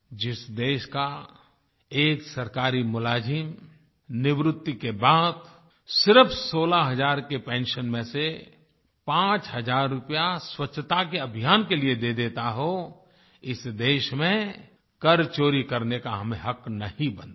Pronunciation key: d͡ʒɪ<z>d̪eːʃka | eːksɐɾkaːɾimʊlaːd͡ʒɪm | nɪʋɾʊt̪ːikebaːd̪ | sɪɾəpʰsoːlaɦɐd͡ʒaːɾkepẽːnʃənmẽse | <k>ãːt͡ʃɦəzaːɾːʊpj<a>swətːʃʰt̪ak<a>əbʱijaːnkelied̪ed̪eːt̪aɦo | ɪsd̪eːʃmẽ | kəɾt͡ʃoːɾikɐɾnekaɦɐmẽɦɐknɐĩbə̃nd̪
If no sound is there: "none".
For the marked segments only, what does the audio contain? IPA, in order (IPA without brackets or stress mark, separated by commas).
s, p, a, e